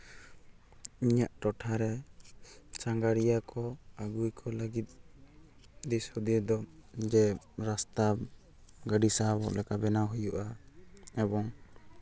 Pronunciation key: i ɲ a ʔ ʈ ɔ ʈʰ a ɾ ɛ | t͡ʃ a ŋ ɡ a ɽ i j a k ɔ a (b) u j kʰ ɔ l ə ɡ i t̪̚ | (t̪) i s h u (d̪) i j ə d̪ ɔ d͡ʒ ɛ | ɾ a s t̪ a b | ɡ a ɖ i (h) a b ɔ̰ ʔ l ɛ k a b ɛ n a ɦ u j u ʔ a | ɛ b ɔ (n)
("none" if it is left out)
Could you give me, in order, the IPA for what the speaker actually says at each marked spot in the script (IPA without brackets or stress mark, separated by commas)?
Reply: ɡ, d̪, d̪, s, ŋ